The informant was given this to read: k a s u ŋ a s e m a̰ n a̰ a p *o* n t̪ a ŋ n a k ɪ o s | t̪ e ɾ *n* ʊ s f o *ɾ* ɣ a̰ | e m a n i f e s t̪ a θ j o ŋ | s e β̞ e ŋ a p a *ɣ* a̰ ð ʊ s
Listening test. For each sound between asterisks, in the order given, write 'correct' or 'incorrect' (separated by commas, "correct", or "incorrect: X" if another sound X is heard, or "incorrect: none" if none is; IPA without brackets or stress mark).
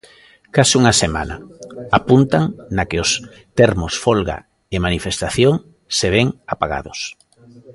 incorrect: u, incorrect: m, incorrect: l, correct